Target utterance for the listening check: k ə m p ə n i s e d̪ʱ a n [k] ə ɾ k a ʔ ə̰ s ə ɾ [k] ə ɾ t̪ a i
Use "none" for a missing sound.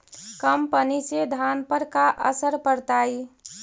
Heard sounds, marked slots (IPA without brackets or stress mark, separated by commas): p, p